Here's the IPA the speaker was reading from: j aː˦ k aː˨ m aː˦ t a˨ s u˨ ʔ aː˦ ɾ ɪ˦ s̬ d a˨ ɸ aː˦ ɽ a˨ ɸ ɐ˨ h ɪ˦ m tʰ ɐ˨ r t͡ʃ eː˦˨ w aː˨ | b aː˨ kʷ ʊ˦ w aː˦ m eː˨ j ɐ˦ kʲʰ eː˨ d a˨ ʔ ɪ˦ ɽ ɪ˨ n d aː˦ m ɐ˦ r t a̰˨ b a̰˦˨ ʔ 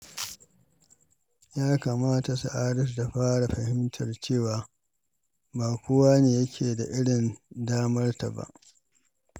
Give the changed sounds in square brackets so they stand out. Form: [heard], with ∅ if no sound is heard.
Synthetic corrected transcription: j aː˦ k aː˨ m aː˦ t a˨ s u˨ ʔ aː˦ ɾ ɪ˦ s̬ d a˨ ɸ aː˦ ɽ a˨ ɸ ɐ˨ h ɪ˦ m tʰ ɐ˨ r t͡ʃ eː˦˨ w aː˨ | b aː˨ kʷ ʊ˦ w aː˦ [n] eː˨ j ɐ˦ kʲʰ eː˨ d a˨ ʔ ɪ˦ ɽ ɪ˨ n d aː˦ m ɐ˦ r t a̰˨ b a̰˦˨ ʔ